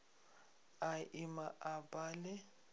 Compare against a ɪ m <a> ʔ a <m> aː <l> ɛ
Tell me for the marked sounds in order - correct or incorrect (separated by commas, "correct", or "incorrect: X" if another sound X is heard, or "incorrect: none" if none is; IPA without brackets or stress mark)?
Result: correct, incorrect: b, correct